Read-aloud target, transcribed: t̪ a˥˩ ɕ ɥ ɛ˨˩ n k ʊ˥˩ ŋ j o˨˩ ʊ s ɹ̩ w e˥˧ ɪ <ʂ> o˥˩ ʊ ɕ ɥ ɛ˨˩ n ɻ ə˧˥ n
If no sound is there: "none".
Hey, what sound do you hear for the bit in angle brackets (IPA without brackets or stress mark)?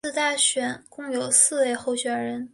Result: x